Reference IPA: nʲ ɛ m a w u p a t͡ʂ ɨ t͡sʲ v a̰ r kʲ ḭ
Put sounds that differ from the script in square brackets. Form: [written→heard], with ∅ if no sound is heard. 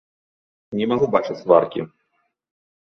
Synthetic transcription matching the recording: nʲ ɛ m a [w→ɣ] u [p→b] a t͡ʂ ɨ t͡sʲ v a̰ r kʲ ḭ

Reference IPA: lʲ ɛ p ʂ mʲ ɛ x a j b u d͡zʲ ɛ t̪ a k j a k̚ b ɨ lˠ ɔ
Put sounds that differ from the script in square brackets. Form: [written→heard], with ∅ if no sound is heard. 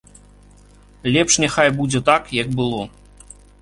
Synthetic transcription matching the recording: lʲ ɛ p ʂ [mʲ→nʲ] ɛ x a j b u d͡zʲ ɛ t̪ a k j a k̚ b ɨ lˠ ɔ

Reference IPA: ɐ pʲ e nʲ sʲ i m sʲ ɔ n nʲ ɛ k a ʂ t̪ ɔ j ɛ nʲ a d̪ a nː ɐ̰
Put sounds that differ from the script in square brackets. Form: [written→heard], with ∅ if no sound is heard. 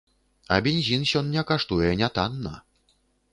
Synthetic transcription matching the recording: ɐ [pʲ→bʲ] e nʲ [sʲ→zʲ] i [m→n] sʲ ɔ n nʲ ɛ k a ʂ t̪ [ɔ→u] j ɛ nʲ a [d̪→t̪] a nː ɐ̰

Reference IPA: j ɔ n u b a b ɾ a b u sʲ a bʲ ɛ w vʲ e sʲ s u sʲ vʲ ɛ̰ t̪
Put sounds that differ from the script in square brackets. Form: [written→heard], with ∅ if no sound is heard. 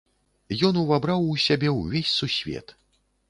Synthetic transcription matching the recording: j ɔ n u [b→v] a b ɾ a [b→w] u sʲ a bʲ ɛ w vʲ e sʲ s u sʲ vʲ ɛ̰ t̪

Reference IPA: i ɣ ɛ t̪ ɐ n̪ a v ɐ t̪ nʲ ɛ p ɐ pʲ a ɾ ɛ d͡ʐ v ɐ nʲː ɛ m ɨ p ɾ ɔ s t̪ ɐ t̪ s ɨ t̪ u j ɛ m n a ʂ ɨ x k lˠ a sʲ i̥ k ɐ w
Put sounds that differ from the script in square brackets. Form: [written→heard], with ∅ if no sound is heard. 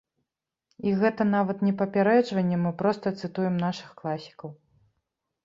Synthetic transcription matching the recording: i ɣ ɛ t̪ ɐ n̪ a v ɐ t̪ nʲ ɛ p ɐ pʲ a ɾ ɛ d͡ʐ v ɐ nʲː ɛ m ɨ p ɾ ɔ s t̪ ɐ t̪ s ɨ t̪ u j ɛ m n a ʂ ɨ x k lˠ a sʲ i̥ k ɐ w

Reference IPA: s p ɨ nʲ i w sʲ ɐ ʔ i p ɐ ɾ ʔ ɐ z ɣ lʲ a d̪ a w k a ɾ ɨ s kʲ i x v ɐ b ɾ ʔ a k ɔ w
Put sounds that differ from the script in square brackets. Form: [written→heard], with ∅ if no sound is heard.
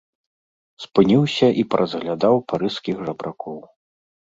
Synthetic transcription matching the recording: s p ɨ nʲ i w sʲ ɐ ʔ i p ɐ ɾ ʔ ɐ z ɣ lʲ a d̪ a w [k→p] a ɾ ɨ s kʲ i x [v→ʐ] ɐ b ɾ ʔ a k ɔ w

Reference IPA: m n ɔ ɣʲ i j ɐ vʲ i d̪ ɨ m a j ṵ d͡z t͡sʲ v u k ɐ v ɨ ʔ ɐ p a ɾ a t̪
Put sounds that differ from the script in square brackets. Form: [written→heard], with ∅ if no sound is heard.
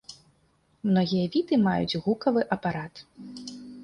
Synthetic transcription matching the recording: m n ɔ ɣʲ i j ɐ vʲ i [d̪→t̪] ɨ m a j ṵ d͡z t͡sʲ [v→ɣ] u k ɐ v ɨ ʔ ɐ p a ɾ a t̪

